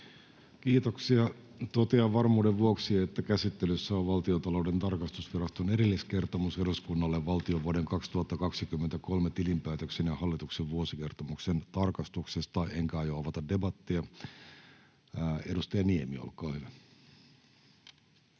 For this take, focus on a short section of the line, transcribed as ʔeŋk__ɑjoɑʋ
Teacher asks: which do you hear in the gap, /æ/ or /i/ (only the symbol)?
æ